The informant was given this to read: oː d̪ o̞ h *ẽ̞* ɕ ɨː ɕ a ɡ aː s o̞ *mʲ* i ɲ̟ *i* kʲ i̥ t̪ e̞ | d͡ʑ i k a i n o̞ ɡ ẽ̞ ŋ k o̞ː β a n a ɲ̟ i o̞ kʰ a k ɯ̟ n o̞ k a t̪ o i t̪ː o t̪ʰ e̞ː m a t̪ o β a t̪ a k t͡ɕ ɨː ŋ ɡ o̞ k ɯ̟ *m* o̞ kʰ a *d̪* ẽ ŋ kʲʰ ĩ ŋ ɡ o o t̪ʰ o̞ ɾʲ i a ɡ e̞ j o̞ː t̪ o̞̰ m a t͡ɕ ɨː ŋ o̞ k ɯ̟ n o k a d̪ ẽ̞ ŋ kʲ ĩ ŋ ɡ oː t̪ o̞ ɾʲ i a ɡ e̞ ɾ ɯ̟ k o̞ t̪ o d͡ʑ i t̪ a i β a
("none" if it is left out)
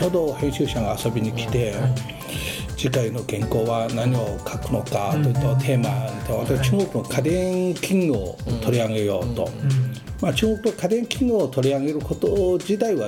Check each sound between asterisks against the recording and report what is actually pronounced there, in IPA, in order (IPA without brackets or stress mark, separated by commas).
ẽ̞, bʲ, i, n, d̪